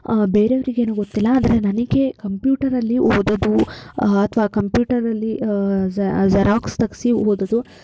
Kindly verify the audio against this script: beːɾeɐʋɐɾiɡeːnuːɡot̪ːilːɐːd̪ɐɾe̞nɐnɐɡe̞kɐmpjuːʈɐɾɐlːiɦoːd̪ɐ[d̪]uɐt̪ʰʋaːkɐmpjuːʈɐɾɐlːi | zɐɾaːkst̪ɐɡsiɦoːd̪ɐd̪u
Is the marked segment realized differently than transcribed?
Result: no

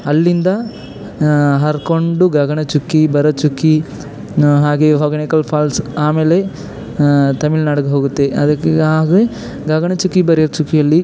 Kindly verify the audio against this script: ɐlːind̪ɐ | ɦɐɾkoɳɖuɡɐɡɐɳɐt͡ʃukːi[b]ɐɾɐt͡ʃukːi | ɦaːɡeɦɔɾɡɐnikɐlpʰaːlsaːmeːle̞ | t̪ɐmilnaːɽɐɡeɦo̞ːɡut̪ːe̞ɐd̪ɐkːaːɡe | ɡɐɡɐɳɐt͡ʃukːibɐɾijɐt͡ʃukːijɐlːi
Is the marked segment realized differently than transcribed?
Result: no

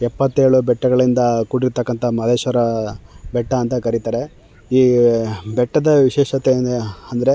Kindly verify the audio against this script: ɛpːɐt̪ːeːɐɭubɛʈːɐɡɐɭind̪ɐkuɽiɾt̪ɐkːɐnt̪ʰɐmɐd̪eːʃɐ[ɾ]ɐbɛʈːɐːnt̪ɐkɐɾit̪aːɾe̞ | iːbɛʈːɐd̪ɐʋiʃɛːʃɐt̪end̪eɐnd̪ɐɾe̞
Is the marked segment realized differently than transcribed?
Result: no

